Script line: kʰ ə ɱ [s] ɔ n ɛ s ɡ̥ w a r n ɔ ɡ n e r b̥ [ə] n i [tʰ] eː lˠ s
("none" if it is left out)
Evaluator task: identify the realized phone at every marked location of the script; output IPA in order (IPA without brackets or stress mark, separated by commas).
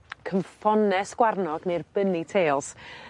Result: f, ə, tʰ